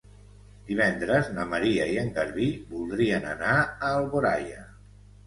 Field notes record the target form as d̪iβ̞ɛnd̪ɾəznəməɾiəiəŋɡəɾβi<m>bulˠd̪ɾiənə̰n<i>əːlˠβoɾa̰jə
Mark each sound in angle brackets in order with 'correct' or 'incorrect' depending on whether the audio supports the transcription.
incorrect: none, incorrect: a

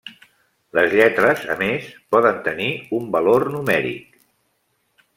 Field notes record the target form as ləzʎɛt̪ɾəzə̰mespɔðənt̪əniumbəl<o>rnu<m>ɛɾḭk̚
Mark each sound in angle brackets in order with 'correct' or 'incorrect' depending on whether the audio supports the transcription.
correct, correct

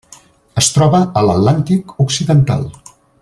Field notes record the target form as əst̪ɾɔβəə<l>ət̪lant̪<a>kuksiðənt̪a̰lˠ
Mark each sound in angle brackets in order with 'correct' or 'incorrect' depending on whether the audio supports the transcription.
correct, incorrect: i

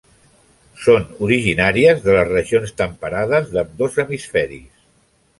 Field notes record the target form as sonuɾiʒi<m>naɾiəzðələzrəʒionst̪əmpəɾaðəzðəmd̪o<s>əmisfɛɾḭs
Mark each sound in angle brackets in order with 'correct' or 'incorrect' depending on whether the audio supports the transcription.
incorrect: none, incorrect: z

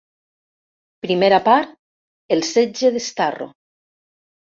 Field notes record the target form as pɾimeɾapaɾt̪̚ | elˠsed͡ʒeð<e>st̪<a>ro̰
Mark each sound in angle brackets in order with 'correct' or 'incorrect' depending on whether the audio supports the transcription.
correct, correct

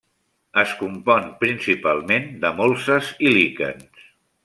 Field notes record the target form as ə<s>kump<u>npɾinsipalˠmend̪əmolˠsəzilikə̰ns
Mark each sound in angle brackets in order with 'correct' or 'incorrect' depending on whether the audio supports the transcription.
correct, incorrect: ɔ

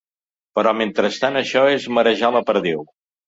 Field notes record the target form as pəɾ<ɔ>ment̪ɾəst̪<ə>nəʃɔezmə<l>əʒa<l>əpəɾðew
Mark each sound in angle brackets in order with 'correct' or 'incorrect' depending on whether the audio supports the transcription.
correct, incorrect: a, incorrect: ɾ, correct

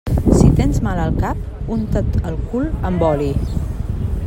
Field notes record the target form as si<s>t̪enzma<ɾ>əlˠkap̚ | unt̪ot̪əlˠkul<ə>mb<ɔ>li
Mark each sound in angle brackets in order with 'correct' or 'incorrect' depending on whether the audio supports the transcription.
incorrect: none, incorrect: l, correct, correct

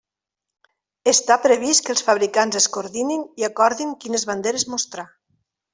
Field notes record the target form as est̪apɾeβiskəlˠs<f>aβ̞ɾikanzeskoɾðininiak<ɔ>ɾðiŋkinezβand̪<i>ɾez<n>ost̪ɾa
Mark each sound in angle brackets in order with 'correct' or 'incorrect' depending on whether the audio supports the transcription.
correct, correct, incorrect: e, incorrect: m

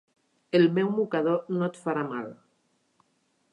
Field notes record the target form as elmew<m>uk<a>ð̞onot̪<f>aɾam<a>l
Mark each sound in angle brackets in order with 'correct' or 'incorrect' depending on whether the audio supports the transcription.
correct, correct, correct, correct

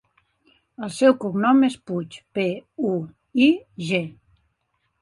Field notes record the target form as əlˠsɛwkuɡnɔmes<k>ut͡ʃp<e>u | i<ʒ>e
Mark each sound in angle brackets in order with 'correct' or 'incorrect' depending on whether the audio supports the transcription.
incorrect: p, correct, correct

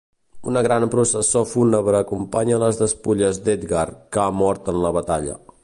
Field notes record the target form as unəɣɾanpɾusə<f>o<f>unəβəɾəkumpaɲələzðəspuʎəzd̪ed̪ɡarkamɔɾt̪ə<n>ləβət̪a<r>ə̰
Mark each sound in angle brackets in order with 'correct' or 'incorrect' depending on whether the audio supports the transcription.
incorrect: s, correct, correct, incorrect: ʎ

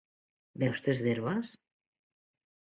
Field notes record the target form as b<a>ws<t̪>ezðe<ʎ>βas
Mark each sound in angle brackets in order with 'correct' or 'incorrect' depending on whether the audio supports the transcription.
incorrect: ɛ, correct, incorrect: ɾ

